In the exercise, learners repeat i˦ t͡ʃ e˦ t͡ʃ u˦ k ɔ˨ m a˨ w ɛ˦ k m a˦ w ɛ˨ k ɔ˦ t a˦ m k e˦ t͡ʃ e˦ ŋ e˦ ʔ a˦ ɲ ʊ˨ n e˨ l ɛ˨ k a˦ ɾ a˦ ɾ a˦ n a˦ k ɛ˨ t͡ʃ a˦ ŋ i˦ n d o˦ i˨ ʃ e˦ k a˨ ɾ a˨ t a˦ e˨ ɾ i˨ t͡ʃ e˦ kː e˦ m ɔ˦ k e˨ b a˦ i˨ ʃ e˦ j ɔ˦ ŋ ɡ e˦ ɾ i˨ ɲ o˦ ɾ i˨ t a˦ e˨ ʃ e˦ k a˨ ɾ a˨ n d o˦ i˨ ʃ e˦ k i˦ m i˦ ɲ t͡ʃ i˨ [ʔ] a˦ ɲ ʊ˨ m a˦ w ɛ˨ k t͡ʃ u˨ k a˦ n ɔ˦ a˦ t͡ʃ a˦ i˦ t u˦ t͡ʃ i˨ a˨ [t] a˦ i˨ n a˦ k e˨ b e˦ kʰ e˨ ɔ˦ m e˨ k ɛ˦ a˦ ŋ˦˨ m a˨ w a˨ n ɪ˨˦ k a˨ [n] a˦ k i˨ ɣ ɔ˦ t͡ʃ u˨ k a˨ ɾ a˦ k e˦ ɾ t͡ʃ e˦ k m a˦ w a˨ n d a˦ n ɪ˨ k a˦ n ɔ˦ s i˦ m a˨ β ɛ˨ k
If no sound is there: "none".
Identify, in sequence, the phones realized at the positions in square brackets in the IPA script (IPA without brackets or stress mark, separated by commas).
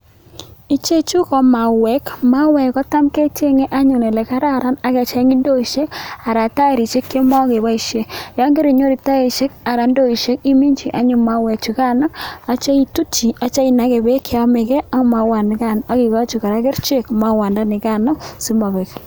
ʔ, t͡ʃ, n